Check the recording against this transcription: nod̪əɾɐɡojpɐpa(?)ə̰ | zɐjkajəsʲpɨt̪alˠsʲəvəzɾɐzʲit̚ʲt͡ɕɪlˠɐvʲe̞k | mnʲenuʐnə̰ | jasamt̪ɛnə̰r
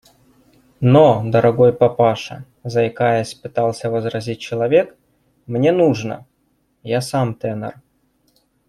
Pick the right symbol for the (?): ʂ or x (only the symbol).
ʂ